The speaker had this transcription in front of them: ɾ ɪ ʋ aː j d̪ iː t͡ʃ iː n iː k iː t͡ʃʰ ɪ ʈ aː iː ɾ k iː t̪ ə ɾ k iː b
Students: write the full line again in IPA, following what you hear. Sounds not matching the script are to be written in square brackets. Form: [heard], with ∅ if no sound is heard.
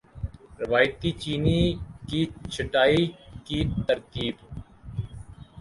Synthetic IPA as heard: ɾ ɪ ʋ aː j [t̪] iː t͡ʃ iː n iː k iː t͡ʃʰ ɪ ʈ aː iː [∅] k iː t̪ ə ɾ k iː b